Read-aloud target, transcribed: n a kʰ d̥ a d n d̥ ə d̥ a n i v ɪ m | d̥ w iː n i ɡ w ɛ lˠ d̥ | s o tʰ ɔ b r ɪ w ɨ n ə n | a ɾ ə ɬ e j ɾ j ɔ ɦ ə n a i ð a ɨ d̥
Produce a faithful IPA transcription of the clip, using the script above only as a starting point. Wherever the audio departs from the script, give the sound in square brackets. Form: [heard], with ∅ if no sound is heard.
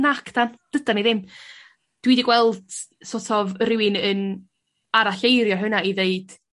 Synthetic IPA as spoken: n a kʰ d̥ a [∅] n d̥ ə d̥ a n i [ð] ɪ m | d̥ w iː [d] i ɡ w ɛ lˠ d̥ | s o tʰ ɔ [v] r ɪ w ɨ n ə n | a ɾ [a] ɬ e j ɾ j ɔ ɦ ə n a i ð [e] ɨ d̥